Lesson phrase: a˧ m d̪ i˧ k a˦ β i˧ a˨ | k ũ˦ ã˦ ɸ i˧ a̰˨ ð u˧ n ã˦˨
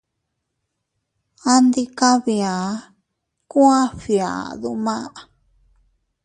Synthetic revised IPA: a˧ n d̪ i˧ k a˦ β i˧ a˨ | k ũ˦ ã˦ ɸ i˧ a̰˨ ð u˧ m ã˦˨